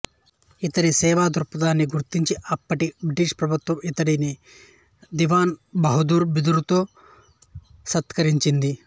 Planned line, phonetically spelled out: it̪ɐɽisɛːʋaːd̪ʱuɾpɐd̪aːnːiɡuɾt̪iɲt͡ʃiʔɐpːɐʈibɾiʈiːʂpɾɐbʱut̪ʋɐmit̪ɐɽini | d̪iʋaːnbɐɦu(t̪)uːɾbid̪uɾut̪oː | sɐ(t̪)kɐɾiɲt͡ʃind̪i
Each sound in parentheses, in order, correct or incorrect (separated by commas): incorrect, correct